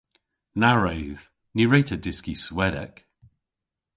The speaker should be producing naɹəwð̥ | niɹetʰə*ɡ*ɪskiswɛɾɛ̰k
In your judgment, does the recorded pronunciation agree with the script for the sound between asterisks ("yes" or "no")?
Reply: no